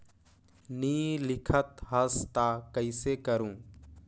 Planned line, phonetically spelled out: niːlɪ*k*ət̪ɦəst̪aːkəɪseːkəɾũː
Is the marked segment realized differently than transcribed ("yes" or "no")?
yes